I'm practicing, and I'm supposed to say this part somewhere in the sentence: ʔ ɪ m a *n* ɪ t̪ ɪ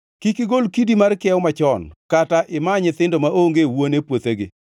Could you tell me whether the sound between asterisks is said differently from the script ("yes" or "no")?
yes